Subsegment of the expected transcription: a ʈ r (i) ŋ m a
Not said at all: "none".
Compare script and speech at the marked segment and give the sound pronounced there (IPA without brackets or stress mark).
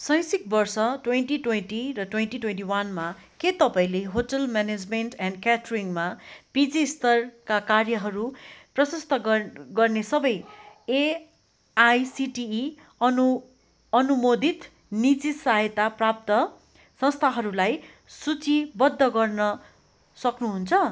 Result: i